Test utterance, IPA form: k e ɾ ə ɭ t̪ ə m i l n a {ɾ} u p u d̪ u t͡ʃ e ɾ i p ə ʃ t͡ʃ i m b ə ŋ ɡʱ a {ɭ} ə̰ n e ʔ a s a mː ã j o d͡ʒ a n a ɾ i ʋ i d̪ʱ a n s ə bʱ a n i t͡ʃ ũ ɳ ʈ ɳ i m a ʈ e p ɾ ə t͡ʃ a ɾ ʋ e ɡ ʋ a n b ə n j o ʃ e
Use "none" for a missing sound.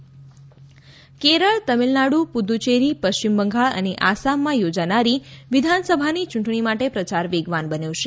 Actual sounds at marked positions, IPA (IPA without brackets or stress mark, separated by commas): ɽ, ɭ